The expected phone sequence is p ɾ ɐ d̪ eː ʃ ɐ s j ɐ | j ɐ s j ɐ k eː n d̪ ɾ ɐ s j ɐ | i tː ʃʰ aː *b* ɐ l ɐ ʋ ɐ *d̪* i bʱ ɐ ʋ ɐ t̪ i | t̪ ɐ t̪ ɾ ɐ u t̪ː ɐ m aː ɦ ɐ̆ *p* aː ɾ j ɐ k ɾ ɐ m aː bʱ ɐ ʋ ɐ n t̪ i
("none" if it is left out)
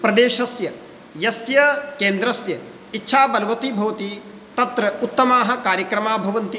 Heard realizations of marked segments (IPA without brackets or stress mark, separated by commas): b, t̪, k